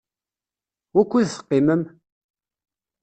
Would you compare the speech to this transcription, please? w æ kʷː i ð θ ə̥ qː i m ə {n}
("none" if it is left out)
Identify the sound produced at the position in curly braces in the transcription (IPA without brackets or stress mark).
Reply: m